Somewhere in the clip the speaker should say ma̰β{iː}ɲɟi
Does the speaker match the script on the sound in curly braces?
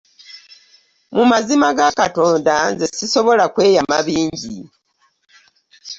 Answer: yes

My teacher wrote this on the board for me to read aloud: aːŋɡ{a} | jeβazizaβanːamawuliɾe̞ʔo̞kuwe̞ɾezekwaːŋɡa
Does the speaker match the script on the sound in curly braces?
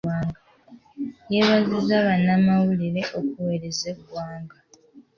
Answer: yes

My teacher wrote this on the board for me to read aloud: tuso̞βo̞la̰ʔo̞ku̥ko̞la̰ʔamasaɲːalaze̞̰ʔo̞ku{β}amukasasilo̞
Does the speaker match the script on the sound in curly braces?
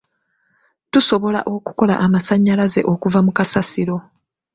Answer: no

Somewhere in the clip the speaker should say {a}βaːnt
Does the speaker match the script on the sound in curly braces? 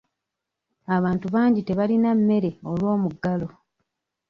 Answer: yes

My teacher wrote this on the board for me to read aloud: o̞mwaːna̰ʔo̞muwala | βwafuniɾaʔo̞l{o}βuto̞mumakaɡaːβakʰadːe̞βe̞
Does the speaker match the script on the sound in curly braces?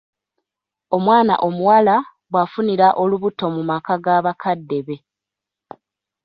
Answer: no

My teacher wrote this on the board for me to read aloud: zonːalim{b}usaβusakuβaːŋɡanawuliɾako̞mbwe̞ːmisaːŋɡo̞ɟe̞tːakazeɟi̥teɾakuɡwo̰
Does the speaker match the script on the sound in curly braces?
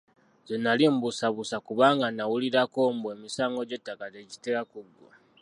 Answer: yes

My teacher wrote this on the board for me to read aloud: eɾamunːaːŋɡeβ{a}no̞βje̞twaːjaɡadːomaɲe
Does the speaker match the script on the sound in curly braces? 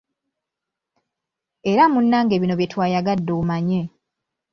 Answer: no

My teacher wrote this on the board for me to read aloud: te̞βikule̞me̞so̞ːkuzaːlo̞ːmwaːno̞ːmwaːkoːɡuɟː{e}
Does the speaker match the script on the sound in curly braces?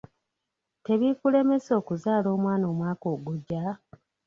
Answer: no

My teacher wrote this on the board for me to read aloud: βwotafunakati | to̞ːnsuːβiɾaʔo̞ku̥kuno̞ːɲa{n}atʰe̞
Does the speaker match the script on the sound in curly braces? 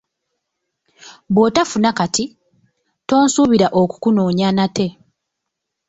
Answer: yes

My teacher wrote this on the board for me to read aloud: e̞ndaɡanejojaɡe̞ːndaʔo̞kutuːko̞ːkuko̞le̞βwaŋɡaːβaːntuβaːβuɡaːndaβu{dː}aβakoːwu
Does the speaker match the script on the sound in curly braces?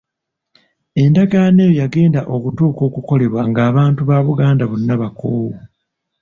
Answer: no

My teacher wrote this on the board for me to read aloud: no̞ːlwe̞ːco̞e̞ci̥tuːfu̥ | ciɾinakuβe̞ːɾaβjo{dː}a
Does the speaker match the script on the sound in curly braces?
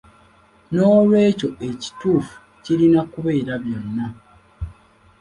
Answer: no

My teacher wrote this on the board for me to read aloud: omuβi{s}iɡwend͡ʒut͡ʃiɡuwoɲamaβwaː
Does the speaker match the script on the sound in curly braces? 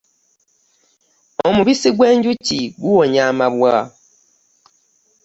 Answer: yes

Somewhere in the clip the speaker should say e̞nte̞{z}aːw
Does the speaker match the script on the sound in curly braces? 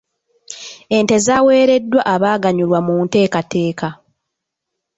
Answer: yes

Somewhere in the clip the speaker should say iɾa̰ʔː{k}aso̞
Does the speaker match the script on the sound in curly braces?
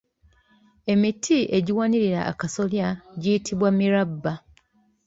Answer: yes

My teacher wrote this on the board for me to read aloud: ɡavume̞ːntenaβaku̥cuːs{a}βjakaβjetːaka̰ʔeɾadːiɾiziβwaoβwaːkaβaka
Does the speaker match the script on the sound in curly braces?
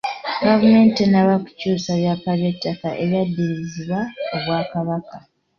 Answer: yes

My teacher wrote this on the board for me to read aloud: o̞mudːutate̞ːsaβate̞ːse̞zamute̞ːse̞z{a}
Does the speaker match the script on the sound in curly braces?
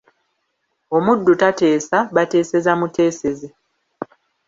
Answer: no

